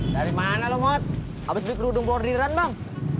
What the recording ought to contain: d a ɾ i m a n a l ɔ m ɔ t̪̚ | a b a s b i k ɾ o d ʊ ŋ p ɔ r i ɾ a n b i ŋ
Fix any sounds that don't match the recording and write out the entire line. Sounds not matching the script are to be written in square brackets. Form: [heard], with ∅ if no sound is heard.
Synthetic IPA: d a ɾ i m a n a l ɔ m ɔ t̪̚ | a b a s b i k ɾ [u] d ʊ ŋ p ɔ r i ɾ a n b [a] ŋ